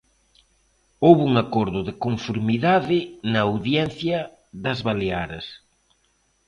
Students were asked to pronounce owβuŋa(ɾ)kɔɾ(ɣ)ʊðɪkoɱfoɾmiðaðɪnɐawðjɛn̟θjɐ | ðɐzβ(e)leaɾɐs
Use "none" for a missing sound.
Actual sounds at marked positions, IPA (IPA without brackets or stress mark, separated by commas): none, ð, a